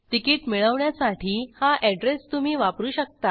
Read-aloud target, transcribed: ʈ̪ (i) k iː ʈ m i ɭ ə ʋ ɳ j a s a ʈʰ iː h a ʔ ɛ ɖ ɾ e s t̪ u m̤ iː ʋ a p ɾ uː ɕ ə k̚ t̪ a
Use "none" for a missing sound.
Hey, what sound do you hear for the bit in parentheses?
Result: i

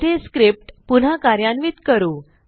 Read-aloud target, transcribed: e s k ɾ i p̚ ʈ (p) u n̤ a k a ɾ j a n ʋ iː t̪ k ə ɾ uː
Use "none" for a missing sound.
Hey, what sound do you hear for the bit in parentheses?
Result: p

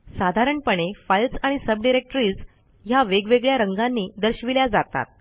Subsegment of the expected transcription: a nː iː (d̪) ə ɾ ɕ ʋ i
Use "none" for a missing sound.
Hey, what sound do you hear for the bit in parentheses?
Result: d̪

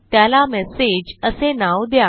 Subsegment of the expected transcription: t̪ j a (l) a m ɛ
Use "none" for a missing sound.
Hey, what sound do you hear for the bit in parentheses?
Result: l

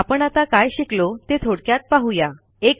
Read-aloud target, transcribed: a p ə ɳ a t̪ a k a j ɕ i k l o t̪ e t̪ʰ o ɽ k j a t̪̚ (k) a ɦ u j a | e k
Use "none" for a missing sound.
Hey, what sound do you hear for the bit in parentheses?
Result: p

